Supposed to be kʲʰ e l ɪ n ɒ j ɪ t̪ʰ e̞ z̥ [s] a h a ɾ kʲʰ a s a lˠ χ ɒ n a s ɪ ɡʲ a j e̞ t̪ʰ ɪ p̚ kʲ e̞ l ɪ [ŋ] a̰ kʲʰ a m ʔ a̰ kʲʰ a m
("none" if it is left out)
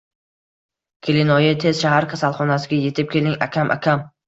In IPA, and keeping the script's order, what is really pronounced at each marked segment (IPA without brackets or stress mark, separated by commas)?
ʃ, ŋ